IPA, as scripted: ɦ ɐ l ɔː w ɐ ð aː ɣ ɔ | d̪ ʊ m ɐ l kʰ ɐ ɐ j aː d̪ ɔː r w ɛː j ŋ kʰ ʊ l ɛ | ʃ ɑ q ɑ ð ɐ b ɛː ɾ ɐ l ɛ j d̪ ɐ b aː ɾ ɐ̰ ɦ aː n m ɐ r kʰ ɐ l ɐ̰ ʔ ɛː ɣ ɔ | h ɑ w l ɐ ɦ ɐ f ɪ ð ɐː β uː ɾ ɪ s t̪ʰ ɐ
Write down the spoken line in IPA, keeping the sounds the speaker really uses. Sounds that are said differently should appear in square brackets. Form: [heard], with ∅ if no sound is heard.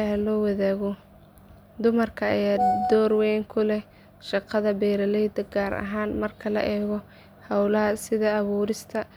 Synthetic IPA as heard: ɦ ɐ l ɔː w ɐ ð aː ɣ ɔ | d̪ ʊ m ɐ [r] kʰ ɐ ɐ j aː d̪ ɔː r w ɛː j ŋ kʰ ʊ l ɛ | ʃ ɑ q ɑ ð ɐ b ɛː ɾ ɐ l ɛ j d̪ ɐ [ɡ] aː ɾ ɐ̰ ɦ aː n m ɐ r kʰ ɐ l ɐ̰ ʔ ɛː ɣ ɔ | h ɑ w l ɐ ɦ ɐ [s] ɪ ð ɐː β uː ɾ ɪ s t̪ʰ ɐ